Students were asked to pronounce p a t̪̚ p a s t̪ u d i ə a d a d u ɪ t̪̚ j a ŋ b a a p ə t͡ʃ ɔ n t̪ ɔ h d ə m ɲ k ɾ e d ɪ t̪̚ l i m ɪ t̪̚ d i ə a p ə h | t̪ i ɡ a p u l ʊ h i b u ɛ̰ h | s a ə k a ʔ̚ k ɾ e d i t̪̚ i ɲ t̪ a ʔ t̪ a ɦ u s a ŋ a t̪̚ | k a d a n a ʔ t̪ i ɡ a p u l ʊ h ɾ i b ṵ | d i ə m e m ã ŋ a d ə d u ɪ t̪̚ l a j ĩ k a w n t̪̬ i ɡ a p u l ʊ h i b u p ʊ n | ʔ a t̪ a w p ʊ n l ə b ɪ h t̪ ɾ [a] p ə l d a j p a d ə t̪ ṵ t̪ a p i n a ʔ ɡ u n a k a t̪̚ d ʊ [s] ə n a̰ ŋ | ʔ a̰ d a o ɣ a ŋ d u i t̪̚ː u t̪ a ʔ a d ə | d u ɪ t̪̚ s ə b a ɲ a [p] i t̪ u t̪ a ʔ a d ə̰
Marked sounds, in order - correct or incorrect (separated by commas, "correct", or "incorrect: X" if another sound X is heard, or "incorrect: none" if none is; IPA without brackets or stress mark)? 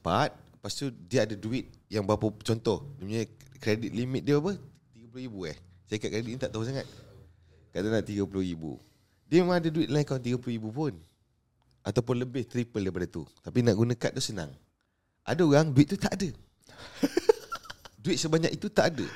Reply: incorrect: i, correct, incorrect: k